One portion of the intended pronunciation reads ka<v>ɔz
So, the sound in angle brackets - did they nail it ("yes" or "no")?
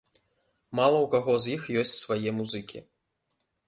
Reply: no